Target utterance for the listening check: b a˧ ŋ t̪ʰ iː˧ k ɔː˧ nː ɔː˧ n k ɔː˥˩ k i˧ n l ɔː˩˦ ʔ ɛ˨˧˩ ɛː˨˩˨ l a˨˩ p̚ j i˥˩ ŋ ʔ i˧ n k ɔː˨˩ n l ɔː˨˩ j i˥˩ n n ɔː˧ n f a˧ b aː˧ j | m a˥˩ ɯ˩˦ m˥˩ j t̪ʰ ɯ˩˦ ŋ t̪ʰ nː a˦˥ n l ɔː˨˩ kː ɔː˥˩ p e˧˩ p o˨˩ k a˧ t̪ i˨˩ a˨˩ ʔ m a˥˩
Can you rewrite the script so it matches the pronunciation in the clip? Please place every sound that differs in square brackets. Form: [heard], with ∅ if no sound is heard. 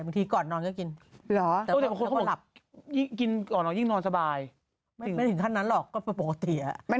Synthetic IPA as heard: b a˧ ŋ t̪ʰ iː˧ k [ɔː˨˩] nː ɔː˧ n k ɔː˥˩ k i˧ n l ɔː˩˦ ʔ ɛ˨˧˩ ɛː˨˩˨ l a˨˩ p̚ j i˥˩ ŋ [k] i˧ n k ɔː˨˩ n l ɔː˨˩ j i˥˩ [ŋ] n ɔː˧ n [s] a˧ b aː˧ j | m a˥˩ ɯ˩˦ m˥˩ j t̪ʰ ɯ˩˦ ŋ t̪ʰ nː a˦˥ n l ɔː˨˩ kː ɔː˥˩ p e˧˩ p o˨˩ k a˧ t̪ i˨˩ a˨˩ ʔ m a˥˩